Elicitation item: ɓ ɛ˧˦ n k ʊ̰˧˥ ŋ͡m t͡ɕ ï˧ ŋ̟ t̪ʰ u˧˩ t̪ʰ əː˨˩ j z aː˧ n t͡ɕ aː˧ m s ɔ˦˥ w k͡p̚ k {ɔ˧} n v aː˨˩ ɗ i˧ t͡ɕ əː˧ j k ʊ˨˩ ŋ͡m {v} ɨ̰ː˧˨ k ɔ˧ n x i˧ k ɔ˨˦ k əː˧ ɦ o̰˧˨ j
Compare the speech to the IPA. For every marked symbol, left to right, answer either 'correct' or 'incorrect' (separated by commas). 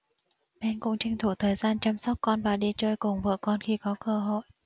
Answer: correct, correct